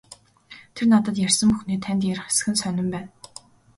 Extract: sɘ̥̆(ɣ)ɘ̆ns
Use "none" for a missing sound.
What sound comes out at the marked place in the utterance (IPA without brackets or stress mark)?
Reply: x